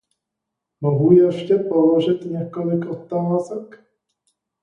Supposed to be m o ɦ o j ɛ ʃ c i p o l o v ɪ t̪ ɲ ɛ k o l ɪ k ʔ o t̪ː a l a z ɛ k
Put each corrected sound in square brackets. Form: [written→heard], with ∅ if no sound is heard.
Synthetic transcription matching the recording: m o ɦ [o→u] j ɛ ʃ c [i→ɛ] p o l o [v→ʒ] ɪ t̪ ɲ ɛ k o l ɪ k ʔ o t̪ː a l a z ɛ k